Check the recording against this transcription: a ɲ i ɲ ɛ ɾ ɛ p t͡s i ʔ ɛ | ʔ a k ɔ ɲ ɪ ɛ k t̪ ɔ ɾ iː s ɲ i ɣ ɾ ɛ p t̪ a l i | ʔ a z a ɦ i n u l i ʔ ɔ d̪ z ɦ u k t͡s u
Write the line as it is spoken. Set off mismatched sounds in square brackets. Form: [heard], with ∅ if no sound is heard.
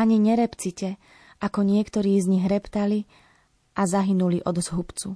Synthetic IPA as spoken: a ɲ i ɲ ɛ ɾ ɛ p t͡s i [c] ɛ | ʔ a k ɔ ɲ ɪ ɛ k t̪ ɔ ɾ iː [z] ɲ i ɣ ɾ ɛ p t̪ a l i | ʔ a z a ɦ i n u l i ʔ ɔ d̪ z ɦ u [p] t͡s u